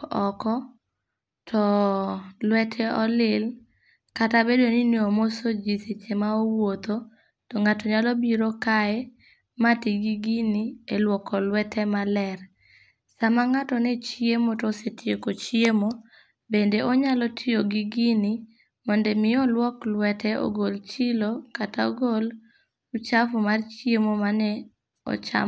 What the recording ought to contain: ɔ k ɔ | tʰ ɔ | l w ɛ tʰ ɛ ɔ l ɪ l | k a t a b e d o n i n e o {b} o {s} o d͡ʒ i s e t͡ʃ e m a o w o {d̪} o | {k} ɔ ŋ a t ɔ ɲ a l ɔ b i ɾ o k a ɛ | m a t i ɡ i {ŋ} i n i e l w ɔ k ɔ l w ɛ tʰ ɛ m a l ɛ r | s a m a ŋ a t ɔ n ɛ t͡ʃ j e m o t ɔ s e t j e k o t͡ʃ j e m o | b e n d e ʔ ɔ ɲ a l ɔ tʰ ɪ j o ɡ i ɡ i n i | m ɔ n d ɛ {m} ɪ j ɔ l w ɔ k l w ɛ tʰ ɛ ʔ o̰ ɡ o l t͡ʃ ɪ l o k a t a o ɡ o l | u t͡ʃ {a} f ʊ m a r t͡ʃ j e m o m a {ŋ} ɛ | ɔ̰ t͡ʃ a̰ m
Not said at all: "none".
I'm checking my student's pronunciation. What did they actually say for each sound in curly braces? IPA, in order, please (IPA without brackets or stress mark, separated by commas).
m, s, t̪, t, ɡ, m, a, n